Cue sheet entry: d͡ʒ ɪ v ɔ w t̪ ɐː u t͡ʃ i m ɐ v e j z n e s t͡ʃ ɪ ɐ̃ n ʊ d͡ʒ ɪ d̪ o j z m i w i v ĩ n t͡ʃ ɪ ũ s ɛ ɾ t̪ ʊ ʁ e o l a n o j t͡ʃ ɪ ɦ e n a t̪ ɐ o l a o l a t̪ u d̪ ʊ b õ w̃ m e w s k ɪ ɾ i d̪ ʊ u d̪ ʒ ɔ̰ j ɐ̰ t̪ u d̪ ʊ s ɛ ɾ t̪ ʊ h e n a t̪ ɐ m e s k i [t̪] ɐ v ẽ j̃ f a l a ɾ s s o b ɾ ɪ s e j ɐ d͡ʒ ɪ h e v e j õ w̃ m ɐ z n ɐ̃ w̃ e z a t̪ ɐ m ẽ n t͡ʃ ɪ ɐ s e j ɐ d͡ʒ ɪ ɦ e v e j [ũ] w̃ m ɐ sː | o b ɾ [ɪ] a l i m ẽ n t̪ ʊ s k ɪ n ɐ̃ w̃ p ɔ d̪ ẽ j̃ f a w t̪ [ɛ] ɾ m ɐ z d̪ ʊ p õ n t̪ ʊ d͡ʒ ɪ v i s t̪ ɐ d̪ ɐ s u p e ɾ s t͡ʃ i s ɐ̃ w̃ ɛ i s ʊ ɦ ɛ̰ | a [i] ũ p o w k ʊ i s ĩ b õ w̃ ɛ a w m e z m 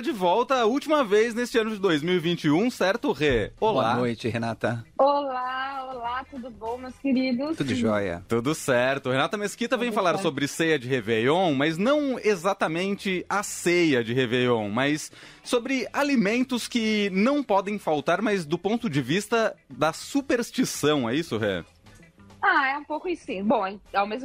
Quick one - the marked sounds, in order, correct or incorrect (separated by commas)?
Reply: correct, incorrect, correct, incorrect, incorrect